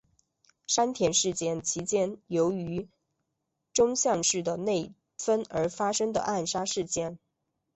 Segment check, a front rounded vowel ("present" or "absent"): present